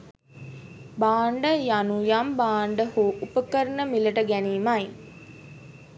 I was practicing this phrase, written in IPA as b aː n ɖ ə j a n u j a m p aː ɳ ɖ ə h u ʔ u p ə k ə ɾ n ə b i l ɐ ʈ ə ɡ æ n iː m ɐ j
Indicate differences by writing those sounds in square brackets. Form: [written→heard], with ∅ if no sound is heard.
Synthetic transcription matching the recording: b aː [n→ɳ] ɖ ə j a n u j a m [p→b] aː ɳ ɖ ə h u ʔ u p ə k ə ɾ n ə [b→m] i l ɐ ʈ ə ɡ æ n iː m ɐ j